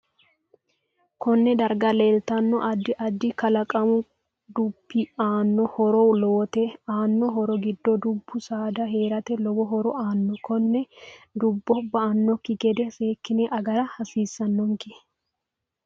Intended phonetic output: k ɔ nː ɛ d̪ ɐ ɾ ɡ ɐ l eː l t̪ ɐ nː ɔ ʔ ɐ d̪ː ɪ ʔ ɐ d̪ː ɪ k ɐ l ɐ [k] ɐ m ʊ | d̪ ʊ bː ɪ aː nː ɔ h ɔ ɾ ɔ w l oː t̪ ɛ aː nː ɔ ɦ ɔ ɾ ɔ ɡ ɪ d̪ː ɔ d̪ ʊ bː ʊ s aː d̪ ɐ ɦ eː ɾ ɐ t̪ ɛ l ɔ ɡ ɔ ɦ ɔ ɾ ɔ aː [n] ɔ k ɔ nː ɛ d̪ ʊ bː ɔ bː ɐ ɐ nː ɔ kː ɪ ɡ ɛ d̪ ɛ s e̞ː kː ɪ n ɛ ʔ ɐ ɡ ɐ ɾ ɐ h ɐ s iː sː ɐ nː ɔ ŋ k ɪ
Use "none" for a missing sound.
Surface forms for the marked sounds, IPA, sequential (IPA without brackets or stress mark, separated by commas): kʼ, nː